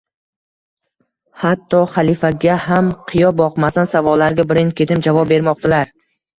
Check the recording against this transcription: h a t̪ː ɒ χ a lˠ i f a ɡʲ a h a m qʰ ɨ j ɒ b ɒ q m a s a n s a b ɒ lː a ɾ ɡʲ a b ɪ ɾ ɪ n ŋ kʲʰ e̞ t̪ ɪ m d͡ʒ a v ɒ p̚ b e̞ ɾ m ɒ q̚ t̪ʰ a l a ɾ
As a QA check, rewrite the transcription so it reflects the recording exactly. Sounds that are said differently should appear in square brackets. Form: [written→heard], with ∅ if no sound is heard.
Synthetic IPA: h a t̪ː ɒ χ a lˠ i f a ɡʲ a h a m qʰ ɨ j ɒ b ɒ q m a s a n s a [b→v] ɒ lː a ɾ ɡʲ a b ɪ ɾ ɪ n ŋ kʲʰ e̞ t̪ ɪ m d͡ʒ a v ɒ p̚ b e̞ ɾ m ɒ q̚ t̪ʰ a l a ɾ